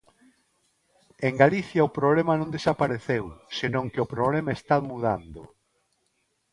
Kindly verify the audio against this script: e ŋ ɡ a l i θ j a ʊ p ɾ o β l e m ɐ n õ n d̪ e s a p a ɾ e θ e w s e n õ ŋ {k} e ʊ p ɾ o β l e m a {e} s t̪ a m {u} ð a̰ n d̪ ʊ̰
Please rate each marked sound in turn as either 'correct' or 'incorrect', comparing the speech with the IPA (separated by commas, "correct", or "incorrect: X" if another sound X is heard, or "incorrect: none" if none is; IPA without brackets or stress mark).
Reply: correct, correct, correct